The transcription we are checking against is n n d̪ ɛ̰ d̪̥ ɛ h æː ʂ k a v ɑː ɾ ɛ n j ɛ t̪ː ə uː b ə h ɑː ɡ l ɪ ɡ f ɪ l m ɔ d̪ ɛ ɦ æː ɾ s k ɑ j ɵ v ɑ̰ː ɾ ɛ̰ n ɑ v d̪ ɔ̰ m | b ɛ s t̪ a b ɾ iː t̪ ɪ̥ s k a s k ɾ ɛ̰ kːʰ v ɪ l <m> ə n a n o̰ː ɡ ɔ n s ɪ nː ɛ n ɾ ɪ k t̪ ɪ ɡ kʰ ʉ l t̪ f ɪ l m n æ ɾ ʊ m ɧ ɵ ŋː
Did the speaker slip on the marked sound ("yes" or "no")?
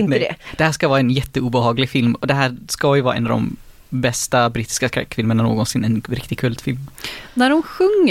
no